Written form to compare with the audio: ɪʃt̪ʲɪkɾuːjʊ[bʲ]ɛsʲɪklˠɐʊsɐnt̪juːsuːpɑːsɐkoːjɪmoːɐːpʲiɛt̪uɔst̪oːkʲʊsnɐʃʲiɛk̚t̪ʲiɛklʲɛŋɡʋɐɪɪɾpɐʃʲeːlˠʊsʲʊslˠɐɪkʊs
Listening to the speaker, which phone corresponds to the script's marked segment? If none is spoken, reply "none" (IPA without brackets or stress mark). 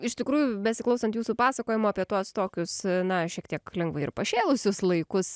bʲ